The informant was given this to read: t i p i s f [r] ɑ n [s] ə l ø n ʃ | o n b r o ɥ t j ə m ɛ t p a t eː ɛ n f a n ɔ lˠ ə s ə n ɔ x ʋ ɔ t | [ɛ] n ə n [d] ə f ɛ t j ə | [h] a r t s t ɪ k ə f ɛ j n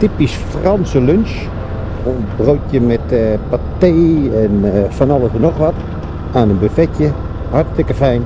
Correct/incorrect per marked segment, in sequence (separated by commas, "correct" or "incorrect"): correct, correct, incorrect, incorrect, correct